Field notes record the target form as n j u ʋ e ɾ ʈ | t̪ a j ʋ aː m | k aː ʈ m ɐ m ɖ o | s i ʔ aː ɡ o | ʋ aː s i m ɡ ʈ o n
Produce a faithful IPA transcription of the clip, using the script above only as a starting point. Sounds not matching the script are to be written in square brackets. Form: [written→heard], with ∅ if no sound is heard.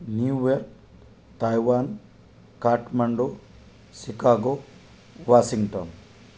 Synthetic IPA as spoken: n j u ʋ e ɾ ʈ | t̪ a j ʋ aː [m→n] | k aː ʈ m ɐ [m→ɳ] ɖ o | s i [ʔ→k] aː ɡ o | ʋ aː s i [m→ŋ] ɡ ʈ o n